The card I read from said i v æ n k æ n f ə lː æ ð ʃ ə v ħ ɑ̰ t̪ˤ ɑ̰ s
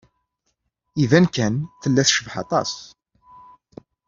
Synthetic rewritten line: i v æ n k æ n θ ə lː æ θ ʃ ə v ħ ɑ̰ t̪ˤ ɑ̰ s